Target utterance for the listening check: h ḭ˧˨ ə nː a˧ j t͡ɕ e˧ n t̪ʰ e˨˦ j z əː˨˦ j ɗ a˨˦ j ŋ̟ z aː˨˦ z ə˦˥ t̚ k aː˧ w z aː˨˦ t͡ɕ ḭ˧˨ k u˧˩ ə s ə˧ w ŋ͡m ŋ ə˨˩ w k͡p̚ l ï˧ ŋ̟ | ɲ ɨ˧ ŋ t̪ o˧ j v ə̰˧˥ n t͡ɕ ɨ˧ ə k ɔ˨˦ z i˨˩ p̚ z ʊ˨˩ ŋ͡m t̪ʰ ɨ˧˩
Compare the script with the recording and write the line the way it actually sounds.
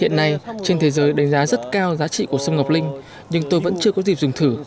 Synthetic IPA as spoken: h ḭ˧˨ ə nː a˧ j t͡ɕ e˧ n t̪ʰ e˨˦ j z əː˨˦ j ɗ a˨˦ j ŋ̟ z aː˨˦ z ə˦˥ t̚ k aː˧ w z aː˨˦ t͡ɕ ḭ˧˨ k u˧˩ ə s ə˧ w ŋ͡m ŋ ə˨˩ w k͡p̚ l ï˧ ŋ̟ | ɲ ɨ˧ ŋ t̪ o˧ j v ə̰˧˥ n t͡ɕ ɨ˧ ə k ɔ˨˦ z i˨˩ p̚ z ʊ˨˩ ŋ͡m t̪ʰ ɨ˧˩

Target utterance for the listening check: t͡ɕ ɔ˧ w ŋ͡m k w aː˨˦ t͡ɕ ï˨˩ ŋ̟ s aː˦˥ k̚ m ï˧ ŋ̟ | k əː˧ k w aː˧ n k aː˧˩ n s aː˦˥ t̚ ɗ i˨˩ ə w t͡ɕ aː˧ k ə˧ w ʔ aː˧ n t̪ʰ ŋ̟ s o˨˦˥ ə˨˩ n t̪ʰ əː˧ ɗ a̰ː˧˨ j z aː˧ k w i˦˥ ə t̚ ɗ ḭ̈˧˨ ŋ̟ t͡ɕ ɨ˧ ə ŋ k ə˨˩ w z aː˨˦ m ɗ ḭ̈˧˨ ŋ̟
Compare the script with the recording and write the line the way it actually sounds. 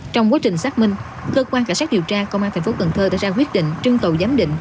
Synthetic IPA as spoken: t͡ɕ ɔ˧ w ŋ͡m k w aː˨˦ t͡ɕ ï˨˩ ŋ̟ s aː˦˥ k̚ m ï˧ ŋ̟ | k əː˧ k w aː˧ n k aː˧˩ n s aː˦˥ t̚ ɗ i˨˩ ə w t͡ɕ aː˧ k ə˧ w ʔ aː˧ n t̪ʰ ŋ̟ f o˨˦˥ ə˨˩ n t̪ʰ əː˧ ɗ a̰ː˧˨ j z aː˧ k w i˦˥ ə t̚ ɗ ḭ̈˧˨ ŋ̟ t͡ɕ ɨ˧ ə ŋ k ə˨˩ w z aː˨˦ m ɗ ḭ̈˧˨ ŋ̟

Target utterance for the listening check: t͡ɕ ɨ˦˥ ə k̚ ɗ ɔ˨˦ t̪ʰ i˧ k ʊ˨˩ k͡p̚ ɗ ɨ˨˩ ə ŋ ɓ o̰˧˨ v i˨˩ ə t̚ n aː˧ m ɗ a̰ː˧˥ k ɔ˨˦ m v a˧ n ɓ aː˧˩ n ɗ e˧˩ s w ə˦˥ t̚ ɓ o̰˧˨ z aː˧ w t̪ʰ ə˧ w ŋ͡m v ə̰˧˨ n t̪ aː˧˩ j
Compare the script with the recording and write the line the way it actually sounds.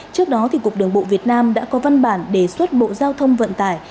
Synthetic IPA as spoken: t͡ɕ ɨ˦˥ ə k̚ ɗ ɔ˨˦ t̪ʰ i˨˩ k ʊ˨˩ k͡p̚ ɗ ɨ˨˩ ə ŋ ɓ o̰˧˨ v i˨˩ ə t̚ n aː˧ m ɗ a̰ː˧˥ k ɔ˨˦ v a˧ n ɓ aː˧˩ n ɗ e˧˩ s w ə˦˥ t̚ ɓ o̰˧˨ z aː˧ w t̪ʰ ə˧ w ŋ͡m v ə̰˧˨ n t̪ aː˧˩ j

